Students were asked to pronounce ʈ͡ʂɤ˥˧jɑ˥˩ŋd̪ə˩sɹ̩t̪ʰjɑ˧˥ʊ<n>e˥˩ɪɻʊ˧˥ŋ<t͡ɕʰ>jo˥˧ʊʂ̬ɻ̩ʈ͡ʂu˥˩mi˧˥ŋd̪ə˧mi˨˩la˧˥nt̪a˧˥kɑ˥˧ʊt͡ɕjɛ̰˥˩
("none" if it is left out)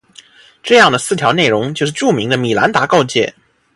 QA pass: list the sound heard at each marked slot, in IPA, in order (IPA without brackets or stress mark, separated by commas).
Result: n, t͡ɕ